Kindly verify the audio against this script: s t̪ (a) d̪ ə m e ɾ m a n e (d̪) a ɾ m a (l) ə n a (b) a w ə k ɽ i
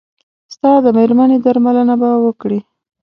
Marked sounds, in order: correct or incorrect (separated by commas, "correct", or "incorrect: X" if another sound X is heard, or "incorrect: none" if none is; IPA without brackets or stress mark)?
incorrect: ɑ, correct, correct, correct